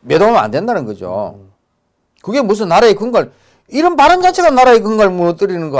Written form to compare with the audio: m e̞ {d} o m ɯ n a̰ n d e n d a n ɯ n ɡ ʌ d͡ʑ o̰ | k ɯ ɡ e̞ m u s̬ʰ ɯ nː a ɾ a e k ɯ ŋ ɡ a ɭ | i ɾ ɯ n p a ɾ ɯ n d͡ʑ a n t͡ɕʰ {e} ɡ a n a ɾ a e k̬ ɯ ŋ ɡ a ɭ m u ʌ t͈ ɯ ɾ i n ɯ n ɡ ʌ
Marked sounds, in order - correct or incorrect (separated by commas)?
correct, correct